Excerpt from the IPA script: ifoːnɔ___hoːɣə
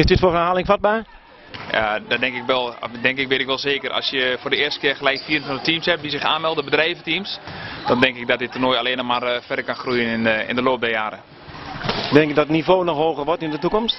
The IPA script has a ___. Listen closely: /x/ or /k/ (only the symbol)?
x